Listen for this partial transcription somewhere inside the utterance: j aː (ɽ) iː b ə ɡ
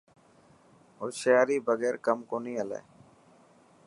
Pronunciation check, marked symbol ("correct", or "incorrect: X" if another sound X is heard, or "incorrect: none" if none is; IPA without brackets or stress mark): incorrect: ɾ